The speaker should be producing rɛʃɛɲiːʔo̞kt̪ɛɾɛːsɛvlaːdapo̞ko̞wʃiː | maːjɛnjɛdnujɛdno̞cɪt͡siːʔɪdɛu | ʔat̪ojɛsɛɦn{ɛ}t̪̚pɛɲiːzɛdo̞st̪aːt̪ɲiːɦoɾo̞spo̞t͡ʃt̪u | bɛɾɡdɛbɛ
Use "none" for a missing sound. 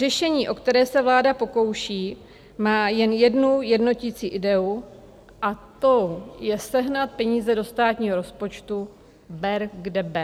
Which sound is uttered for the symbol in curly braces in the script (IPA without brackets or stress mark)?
a